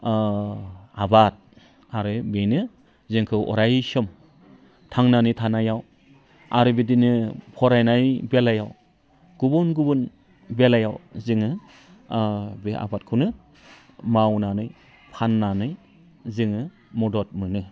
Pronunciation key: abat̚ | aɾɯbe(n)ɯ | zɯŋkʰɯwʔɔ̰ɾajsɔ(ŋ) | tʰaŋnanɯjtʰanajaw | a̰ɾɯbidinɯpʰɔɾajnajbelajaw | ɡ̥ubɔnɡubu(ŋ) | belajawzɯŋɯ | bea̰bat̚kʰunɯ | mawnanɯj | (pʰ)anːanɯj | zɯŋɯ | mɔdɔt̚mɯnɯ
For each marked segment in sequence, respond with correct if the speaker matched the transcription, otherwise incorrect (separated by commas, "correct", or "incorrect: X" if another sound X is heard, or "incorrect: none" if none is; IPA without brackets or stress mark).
correct, incorrect: m, incorrect: n, correct